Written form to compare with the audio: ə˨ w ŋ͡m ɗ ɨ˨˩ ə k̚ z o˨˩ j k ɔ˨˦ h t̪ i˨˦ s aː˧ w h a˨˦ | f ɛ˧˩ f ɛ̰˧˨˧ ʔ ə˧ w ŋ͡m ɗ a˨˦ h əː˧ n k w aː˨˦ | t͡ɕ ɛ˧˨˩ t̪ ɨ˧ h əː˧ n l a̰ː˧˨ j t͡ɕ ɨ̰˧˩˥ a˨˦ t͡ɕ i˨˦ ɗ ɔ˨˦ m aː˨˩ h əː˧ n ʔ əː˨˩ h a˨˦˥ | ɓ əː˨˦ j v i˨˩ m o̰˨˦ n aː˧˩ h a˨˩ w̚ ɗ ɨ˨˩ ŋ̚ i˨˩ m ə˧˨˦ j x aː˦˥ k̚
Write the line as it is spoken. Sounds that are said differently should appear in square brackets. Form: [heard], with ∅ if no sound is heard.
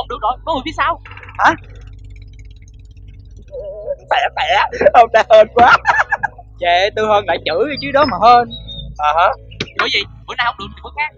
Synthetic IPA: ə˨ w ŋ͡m ɗ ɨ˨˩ ə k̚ z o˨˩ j k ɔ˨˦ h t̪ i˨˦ s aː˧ w h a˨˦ | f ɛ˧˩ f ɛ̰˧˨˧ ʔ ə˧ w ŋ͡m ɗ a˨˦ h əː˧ n k w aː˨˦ | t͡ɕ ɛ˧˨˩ t̪ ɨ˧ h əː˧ n l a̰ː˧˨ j t͡ɕ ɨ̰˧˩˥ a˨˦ t͡ɕ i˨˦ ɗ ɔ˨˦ m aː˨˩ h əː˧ n ʔ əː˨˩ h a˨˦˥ | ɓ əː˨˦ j v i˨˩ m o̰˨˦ n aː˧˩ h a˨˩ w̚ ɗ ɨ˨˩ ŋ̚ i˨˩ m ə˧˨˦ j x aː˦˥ k̚